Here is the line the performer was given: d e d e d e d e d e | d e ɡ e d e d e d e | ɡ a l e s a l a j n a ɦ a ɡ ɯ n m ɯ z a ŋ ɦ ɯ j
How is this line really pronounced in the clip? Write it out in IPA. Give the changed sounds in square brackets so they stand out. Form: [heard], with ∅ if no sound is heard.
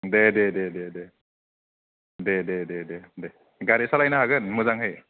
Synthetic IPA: d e d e d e d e d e | d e [d] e d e d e d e | ɡ a [ɾ] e s a l a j n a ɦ a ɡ ɯ n m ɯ z a ŋ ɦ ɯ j